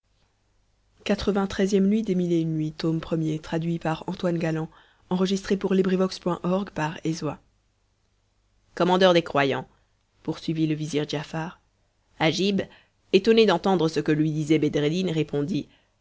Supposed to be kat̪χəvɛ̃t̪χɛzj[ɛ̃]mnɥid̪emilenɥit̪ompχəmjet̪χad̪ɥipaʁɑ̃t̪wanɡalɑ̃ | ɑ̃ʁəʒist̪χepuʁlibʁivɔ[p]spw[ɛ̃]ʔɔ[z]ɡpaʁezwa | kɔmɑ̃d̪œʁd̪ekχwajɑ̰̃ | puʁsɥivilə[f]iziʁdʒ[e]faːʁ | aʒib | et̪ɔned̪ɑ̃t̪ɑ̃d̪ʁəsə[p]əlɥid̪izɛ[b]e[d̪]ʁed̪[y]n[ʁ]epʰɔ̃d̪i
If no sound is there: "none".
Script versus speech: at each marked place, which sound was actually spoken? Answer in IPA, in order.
ɛ, k, ɛ̃, ʁ, v, a, k, b, d̪, i, ʁ

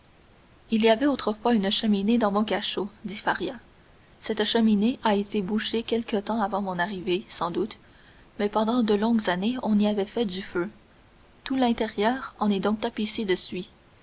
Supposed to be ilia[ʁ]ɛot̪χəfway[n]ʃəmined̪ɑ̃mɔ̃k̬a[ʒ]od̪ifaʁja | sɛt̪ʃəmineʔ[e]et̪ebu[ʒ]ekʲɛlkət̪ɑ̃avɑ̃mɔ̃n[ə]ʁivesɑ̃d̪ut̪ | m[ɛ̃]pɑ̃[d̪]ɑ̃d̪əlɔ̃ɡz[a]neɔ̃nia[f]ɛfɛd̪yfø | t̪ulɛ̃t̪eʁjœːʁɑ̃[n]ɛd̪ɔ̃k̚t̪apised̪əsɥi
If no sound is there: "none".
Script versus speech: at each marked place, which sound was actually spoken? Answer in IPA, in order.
v, n, ʃ, a, ʃ, a, ɛ, d̪, a, v, n

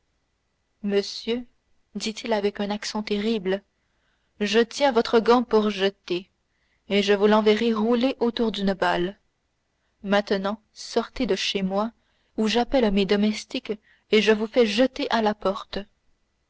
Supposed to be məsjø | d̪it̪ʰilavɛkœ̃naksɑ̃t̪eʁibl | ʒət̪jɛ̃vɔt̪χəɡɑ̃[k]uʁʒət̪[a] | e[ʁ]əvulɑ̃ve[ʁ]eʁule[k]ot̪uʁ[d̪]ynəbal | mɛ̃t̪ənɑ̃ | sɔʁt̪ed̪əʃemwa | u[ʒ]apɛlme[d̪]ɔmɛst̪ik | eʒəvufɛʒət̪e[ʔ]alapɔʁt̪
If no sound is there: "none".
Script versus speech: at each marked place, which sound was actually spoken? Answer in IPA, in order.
p, e, ʒ, ʁ, ʔ, d̪, ʒ, d̪, ʔ

